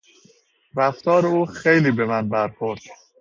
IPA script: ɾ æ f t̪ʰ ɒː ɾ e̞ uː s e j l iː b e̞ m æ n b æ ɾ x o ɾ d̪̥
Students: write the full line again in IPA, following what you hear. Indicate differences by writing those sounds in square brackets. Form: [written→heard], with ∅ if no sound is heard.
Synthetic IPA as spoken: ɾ æ f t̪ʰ ɒː ɾ e̞ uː [s→x] e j l iː b e̞ m æ n b æ ɾ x o ɾ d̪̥

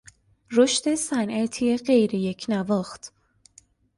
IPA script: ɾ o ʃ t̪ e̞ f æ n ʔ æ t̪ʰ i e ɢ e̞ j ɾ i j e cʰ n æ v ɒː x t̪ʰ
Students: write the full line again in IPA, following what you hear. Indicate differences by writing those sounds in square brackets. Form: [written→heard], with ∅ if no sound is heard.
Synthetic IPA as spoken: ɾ o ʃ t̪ e̞ [f→s] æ n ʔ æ t̪ʰ i e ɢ e̞ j ɾ [i→e] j e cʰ n æ v ɒː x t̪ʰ

